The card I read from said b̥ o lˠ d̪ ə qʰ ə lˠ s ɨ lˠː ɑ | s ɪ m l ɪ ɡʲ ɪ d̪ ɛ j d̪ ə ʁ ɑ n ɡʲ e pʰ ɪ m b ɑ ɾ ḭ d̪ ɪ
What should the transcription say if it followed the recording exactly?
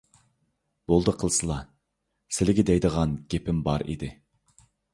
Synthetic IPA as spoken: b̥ o lˠ d̪ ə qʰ ə lˠ s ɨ lˠ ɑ | s ɪ l ɪ ɡʲ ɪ d̪ ɛ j d̪ ə ʁ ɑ n ɡʲ e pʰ ɪ m b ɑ ɾ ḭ d̪ ɪ